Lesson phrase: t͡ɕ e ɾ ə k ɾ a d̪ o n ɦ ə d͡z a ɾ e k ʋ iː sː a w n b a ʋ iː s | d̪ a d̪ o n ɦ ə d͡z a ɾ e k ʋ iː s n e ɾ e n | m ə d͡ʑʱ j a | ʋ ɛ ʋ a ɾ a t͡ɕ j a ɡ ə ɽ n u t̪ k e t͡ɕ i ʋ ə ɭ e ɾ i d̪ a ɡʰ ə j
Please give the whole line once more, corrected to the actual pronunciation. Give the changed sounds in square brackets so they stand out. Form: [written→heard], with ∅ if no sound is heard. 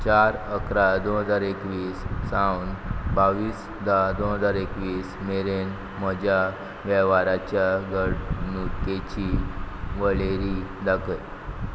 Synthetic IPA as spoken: t͡ɕ [e→a] ɾ ə k ɾ a d̪ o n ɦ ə d͡z a ɾ e k ʋ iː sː a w n b a ʋ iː s | d̪ a d̪ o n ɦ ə d͡z a ɾ e k ʋ iː s [n→m] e ɾ e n | m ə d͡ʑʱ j a | ʋ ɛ ʋ a ɾ a t͡ɕ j a ɡ ə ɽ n u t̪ k e t͡ɕ i ʋ ə ɭ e ɾ i d̪ a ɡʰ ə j